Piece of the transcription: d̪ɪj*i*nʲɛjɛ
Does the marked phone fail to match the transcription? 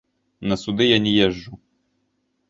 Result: yes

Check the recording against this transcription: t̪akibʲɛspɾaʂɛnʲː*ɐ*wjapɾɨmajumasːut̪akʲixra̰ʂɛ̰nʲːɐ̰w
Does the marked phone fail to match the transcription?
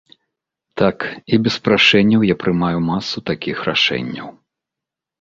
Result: no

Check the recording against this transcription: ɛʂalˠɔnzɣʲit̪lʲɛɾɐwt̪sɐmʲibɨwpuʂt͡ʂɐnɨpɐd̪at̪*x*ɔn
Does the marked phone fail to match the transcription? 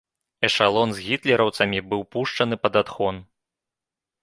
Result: no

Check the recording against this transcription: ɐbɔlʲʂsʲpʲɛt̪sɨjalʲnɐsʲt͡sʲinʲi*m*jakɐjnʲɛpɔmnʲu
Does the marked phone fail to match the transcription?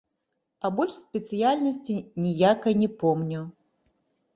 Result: yes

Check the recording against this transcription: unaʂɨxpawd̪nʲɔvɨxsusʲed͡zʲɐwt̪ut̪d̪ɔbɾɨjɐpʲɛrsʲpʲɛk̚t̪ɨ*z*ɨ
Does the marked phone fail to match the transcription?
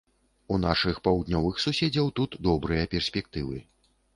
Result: yes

